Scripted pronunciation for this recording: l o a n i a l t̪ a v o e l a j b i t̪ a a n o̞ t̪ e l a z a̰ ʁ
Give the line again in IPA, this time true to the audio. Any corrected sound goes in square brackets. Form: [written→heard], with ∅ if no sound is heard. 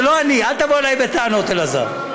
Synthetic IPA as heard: l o a n i a l t̪ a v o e l a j b [i→e] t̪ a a n o̞ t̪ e l a z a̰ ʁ